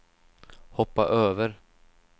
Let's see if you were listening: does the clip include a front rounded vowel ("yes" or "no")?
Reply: yes